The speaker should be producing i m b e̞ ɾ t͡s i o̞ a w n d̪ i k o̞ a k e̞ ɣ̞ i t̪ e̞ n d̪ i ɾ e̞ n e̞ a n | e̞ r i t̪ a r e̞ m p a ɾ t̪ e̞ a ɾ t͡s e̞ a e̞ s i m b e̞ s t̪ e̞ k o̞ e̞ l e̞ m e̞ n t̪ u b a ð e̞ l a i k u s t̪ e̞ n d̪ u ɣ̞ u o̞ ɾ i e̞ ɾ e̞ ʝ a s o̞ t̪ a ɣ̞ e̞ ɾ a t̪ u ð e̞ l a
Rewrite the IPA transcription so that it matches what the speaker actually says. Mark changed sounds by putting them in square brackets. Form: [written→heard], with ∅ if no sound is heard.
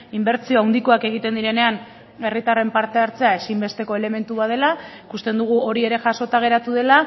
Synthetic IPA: i m b e̞ ɾ t͡s i o̞ a w n d̪ i k o̞ a k e̞ ɣ̞ i t̪ e̞ n d̪ i ɾ e̞ n e̞ a n | e̞ r i t̪ a r e̞ m p a ɾ t̪ e̞ a ɾ t͡s e̞ a e̞ s i m b e̞ s t̪ e̞ k o̞ e̞ l e̞ m e̞ n t̪ u [b→β] a ð e̞ l a i k u s t̪ e̞ n d̪ u ɣ̞ u o̞ ɾ i e̞ ɾ e̞ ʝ a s o̞ t̪ a ɣ̞ e̞ ɾ a t̪ u ð e̞ l a

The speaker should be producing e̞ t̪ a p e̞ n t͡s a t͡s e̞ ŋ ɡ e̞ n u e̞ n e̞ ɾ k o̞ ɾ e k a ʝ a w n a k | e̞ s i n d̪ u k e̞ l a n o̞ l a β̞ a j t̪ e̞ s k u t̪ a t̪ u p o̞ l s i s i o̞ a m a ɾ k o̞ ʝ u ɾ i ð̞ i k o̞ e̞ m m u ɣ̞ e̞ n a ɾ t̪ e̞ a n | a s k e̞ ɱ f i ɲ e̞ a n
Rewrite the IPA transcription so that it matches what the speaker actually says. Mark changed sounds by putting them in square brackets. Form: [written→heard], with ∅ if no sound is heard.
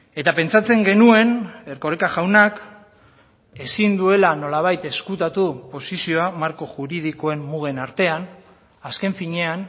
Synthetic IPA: e̞ t̪ a p e̞ n t͡s a t͡s e̞ ŋ ɡ e̞ n u e̞ n e̞ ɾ k o̞ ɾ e k a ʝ a w n a k | e̞ s i n d̪ u [k→∅] e̞ l a n o̞ l a β̞ a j t̪ e̞ s k u t̪ a t̪ u p o̞ [l→∅] s i s i o̞ a m a ɾ k o̞ ʝ u ɾ i ð̞ i k o̞ e̞ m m u ɣ̞ e̞ n a ɾ t̪ e̞ a n | a s k e̞ ɱ f i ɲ e̞ a n

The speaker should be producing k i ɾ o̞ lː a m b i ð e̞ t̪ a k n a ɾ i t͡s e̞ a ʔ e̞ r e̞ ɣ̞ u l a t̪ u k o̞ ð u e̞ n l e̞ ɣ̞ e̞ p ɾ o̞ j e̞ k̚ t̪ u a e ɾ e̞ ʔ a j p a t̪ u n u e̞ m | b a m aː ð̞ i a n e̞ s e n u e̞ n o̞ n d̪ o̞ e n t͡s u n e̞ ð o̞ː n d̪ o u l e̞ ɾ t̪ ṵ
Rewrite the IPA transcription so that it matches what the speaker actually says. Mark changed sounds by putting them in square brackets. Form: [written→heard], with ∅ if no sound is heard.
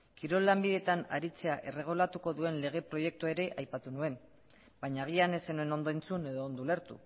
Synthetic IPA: k i ɾ o̞ lː a m b i ð e̞ t̪ a [k→∅] n a ɾ i t͡s e̞ a ʔ e̞ r e̞ ɣ̞ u l a t̪ u k o̞ ð u e̞ n l e̞ ɣ̞ e̞ p ɾ o̞ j e̞ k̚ t̪ u a e ɾ e̞ ʔ a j p a t̪ u n u e̞ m | b a [m→ɲ] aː [ð̞→ɣ̞] i a n e̞ s e n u e̞ n o̞ n d̪ o̞ e n t͡s u n e̞ ð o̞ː n d̪ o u l e̞ ɾ t̪ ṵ

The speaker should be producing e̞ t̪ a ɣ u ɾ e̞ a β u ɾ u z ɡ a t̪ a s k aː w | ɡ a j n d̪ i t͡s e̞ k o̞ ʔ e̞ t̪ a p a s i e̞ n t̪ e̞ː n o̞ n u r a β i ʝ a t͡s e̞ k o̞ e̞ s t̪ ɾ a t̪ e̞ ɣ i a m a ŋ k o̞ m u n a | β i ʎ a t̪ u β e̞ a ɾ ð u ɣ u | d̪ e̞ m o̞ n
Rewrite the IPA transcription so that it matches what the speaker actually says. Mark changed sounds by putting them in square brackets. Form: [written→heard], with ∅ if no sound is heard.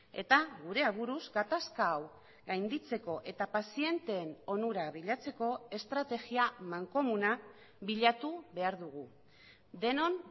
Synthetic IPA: e̞ t̪ a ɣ u ɾ e̞ a β u ɾ u z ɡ a t̪ a s k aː w | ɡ a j n d̪ i t͡s e̞ k o̞ ʔ e̞ t̪ a p a s i e̞ n t̪ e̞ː n o̞ n u [r→ɾ] a β i [ʝ→ʎ] a t͡s e̞ k o̞ e̞ s t̪ ɾ a t̪ e̞ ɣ i a m a ŋ k o̞ m u n a | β i ʎ a t̪ u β e̞ a ɾ ð u ɣ u | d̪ e̞ [m→n] o̞ n

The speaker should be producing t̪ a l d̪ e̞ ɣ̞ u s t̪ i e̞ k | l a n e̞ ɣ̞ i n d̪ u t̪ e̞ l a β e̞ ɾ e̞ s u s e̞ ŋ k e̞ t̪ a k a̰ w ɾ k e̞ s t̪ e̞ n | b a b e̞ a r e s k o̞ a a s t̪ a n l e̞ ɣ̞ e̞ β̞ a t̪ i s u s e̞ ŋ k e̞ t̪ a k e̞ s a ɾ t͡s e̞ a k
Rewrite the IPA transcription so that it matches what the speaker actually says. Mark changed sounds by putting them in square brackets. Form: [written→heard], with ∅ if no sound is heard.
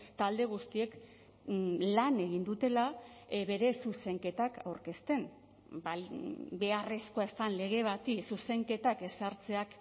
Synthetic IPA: t̪ a l d̪ e̞ ɣ̞ u s t̪ i e̞ k | l a n e̞ ɣ̞ i n d̪ u t̪ e̞ l a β e̞ ɾ e̞ s u s e̞ ŋ k e̞ t̪ a k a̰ w ɾ k e̞ s t̪ e̞ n | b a b e̞ a r e s k o̞ a [a→e] s t̪ a n l e̞ ɣ̞ e̞ β̞ a t̪ i s u s e̞ ŋ k e̞ t̪ a k e̞ s a ɾ t͡s e̞ a k

